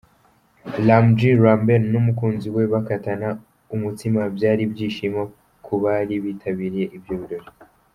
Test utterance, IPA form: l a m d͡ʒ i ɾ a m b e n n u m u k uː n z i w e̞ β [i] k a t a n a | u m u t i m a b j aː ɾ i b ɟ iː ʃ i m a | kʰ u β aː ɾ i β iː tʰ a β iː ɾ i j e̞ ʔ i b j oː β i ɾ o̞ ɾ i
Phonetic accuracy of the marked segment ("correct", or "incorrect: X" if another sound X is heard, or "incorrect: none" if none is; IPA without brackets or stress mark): incorrect: a